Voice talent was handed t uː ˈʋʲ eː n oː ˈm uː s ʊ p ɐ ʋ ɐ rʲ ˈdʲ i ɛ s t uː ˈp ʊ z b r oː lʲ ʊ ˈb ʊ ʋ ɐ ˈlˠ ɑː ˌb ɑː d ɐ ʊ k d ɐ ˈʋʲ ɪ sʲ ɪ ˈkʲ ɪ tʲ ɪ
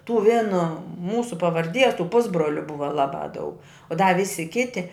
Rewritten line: t uː ˈʋʲ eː n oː ˈm uː s ʊ p ɐ ʋ ɐ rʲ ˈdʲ i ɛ s t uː ˈp ʊ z b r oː lʲ ʊ ˈb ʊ ʋ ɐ ˈlˠ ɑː ˌb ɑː d ɐ ʊ k d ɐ ˈʋʲ ɪ sʲ ɪ ˈkʲ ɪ tʲ ɪ